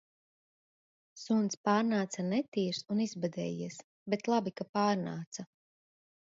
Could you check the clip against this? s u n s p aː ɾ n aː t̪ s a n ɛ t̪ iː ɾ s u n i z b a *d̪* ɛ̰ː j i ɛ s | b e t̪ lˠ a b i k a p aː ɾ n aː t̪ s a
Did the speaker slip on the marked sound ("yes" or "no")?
no